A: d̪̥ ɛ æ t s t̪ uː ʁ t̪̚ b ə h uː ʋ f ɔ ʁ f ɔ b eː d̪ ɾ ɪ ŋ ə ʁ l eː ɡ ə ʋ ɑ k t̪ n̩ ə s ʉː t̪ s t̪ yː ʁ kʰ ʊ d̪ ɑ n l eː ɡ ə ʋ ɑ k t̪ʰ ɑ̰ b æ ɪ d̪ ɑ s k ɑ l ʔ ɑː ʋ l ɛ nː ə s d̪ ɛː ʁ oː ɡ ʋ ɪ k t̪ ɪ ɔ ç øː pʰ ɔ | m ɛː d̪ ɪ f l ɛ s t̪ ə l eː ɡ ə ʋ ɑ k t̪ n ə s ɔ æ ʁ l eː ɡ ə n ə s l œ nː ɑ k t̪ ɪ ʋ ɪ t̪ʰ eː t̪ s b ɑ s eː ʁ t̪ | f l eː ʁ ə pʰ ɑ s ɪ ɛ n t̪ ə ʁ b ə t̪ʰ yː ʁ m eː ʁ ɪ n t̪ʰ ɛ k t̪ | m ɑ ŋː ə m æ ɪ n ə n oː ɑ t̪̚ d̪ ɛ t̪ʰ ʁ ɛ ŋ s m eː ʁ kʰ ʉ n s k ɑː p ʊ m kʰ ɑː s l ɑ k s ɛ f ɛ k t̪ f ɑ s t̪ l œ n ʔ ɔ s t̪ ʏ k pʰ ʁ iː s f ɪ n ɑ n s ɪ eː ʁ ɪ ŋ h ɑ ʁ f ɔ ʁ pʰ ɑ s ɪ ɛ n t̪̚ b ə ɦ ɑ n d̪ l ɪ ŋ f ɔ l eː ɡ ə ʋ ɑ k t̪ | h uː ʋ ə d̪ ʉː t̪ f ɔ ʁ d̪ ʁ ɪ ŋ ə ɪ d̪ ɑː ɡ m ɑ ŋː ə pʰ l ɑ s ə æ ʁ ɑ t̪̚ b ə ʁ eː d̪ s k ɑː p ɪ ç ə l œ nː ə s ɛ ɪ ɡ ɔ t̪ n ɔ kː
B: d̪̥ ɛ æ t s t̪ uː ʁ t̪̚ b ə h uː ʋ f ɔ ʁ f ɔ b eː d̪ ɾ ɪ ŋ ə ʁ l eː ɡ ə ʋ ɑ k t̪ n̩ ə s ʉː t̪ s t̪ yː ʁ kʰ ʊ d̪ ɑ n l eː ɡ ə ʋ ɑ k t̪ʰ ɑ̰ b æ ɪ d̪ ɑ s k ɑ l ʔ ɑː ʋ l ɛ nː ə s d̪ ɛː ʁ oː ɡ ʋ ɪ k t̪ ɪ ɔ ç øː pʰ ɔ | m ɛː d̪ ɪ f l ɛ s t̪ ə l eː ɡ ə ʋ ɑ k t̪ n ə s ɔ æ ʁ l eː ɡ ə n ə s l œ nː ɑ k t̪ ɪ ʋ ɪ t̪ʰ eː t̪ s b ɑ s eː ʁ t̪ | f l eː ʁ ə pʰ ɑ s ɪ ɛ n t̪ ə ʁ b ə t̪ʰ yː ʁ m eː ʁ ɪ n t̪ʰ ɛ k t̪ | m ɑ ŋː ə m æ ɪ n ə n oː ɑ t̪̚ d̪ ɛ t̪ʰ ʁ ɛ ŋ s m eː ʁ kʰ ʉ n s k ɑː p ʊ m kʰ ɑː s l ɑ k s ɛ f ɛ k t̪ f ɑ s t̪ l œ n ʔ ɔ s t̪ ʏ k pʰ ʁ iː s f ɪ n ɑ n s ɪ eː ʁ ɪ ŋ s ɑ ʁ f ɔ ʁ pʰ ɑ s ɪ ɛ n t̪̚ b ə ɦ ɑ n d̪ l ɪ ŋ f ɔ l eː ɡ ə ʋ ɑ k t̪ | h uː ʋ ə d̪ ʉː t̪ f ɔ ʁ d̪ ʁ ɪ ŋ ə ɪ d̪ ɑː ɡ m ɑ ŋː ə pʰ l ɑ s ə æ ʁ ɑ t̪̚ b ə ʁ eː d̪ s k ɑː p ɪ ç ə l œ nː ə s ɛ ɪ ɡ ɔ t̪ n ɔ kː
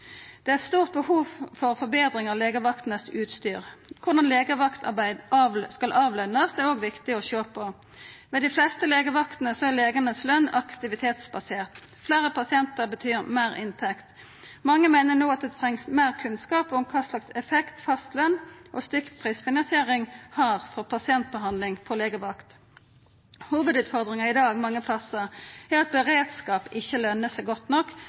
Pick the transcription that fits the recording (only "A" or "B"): A